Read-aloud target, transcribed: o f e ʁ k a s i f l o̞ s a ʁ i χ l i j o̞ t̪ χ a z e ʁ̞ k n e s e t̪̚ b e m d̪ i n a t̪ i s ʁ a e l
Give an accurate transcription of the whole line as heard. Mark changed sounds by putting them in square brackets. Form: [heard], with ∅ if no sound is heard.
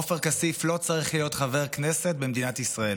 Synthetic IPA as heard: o f e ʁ k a s i f l o̞ [t͡s] a ʁ i χ l i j o̞ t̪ χ a [v] e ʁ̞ k n e s e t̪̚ b e m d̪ i n a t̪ i s ʁ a e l

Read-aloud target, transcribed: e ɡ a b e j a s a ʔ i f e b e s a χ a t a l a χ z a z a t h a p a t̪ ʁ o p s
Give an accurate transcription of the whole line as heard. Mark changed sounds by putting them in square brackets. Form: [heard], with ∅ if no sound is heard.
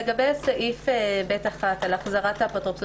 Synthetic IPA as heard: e ɡ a b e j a s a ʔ i f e b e [t] a χ a t a l a χ z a [ʁ] a t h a p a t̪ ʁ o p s

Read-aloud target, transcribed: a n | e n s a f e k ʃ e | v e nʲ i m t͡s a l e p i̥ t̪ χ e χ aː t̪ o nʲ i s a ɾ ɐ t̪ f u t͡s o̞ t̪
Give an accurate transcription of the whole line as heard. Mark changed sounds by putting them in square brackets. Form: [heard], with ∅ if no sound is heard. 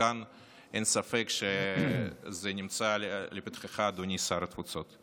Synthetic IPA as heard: a n | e n s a f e k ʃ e | [z] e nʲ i m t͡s a l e p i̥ t̪ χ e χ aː [d̪] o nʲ i s a ɾ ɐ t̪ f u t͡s o̞ t̪

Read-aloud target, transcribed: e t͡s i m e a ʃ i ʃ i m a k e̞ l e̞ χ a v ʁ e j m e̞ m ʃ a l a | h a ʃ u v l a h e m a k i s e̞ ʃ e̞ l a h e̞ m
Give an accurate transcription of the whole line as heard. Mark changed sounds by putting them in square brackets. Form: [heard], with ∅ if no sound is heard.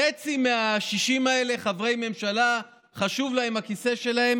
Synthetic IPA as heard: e t͡s i m e a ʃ i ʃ i m a [∅] e̞ l e̞ χ a v ʁ e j m e̞ m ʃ a l a | [χ] a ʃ u v l a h e m a k i s e̞ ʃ e̞ l a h e̞ m

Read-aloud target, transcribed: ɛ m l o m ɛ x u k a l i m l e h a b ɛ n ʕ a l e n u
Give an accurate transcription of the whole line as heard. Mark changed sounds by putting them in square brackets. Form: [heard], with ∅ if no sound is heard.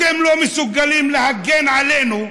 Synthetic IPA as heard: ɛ m l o m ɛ [s] u [ɡ] a l i m l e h a [ɡ] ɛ n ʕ a l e n u

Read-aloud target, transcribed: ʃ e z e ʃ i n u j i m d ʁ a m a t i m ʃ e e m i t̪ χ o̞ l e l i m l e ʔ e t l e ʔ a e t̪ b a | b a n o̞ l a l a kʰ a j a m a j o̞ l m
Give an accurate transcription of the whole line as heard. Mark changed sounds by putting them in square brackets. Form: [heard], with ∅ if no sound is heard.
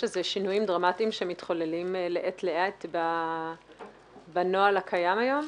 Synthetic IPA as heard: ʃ e z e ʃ i n u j i m d ʁ a m a t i m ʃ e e m i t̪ χ o̞ l e l i m l e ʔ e t l e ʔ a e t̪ b a | b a n o̞ [∅] a l a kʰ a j a m a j o̞ [∅] m

